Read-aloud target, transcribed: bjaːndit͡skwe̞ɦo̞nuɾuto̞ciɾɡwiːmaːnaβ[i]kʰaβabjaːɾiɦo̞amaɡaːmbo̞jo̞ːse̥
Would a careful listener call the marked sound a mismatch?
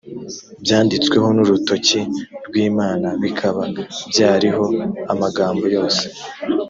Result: no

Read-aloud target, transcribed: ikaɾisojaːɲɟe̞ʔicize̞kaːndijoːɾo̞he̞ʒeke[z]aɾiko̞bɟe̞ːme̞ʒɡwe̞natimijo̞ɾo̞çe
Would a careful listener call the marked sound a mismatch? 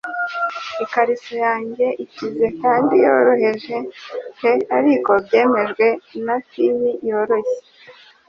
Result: yes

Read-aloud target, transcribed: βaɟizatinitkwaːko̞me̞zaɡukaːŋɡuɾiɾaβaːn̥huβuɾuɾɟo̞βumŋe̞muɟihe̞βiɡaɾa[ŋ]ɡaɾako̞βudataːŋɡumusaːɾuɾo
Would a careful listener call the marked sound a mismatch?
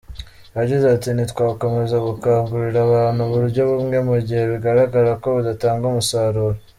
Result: yes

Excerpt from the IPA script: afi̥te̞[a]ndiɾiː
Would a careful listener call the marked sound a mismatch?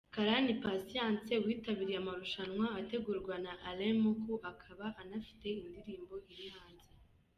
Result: yes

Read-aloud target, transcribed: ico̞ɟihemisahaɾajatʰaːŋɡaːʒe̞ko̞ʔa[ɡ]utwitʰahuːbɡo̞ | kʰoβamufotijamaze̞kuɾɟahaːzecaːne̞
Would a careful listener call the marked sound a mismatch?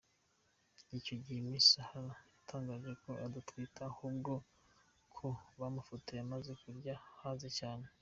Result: yes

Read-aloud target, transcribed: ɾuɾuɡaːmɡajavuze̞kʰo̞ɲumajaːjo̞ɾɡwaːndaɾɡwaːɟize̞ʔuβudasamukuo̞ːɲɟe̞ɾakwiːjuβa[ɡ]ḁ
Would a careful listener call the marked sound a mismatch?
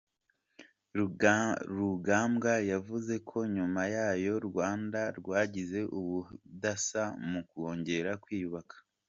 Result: yes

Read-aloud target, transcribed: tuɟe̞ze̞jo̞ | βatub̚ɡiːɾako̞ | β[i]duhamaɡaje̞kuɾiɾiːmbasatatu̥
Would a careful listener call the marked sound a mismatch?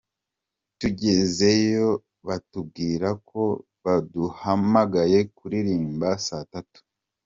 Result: yes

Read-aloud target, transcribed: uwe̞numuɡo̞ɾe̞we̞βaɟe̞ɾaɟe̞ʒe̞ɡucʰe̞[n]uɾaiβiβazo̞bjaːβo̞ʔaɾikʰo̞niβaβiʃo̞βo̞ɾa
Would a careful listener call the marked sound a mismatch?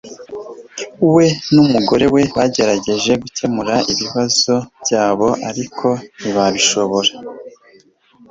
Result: yes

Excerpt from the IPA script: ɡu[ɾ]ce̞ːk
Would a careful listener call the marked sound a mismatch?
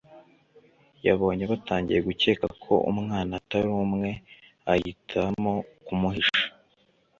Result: yes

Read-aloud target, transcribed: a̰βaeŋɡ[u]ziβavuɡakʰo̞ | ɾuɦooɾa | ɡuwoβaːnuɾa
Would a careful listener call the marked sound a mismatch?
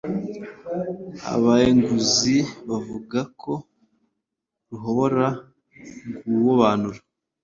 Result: no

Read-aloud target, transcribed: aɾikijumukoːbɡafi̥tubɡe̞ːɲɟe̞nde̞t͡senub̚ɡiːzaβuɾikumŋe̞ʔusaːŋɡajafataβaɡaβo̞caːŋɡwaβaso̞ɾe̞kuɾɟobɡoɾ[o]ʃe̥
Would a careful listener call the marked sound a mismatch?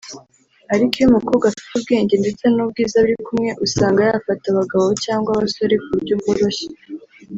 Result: no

